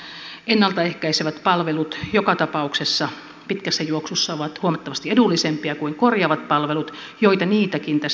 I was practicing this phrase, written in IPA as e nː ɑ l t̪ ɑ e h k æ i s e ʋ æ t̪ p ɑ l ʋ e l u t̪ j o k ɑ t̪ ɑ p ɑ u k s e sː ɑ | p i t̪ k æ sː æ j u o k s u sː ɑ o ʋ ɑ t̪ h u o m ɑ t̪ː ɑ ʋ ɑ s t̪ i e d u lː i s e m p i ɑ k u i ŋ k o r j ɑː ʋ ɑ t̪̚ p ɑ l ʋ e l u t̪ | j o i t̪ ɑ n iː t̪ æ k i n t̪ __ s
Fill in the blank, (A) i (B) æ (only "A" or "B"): B